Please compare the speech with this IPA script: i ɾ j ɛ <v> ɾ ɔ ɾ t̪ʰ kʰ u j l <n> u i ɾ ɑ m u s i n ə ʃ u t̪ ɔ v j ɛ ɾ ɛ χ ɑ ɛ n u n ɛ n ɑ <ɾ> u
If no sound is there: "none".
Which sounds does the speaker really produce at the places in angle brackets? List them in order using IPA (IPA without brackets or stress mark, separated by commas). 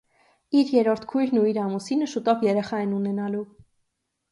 none, n, l